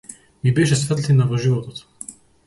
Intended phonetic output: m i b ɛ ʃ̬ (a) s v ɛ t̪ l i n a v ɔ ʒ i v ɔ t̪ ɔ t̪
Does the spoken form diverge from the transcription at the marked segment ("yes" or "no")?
yes